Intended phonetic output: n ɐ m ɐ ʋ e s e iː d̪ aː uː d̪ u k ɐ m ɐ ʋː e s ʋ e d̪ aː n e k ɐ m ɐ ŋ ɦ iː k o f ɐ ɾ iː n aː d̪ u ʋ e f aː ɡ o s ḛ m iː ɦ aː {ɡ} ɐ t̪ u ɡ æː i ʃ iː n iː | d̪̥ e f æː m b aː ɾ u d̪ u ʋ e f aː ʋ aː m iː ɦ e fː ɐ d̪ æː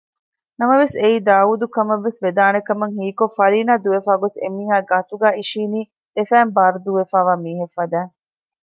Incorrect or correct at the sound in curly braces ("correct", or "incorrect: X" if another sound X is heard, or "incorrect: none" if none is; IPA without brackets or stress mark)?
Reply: correct